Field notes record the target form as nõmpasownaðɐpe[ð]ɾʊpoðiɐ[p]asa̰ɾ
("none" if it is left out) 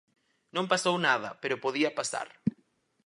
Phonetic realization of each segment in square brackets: none, p

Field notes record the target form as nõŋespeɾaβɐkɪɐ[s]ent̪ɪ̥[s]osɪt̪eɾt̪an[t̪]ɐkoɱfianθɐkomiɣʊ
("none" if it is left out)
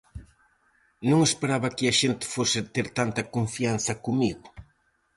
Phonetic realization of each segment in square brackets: ʃ, f, t̪

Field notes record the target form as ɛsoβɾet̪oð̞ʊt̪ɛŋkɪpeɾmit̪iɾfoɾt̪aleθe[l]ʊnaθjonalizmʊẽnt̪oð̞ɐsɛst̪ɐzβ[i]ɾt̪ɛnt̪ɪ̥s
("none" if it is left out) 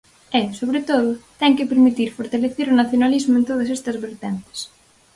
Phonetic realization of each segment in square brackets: ɾ, e

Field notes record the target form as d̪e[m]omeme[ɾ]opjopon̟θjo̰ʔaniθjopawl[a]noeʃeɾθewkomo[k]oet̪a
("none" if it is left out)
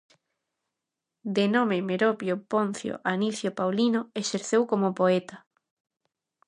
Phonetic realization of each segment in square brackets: n, ɾ, i, p

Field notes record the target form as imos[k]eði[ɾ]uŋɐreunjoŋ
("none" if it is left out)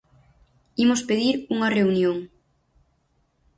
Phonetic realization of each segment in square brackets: p, ɾ

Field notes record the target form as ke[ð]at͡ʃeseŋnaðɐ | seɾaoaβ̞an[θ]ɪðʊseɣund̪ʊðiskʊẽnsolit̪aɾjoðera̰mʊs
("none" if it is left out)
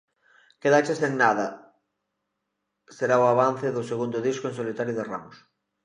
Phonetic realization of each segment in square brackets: ð, θ

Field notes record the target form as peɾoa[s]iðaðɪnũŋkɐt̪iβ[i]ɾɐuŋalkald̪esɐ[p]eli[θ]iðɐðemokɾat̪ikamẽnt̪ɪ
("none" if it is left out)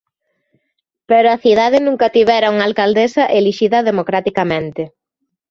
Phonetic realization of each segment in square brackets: θ, ɛ, ʔ, ʃ

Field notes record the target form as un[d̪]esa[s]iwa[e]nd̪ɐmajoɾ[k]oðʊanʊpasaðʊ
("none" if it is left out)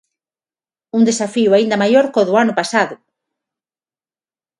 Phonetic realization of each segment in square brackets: d̪, f, i, k

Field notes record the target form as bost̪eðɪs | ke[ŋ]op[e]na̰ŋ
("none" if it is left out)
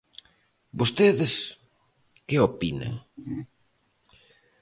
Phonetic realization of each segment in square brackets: none, i

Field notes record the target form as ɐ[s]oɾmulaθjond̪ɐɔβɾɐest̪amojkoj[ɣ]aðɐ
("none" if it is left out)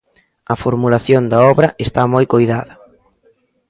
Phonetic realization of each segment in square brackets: f, ð

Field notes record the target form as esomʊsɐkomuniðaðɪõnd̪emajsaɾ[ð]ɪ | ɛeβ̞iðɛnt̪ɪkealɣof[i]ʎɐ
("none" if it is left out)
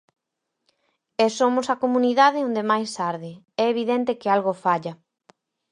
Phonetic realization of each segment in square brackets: ð, a

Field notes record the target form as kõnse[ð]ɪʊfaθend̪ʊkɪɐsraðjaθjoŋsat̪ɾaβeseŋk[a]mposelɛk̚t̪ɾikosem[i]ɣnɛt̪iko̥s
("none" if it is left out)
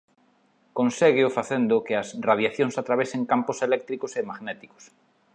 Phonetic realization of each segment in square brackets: ɣ, a, a

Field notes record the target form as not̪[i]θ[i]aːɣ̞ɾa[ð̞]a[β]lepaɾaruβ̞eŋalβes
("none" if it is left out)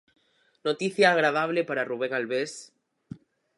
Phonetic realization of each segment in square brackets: i, j, ð̞, β

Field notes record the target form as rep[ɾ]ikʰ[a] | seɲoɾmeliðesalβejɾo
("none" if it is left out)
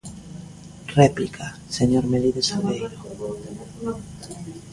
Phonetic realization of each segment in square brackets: l, a

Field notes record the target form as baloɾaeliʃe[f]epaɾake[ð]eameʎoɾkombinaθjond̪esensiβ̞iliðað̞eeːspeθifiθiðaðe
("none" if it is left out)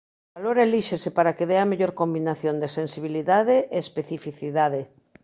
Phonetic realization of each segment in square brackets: s, ð

